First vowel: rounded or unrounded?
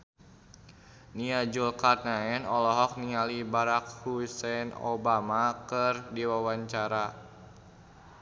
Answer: unrounded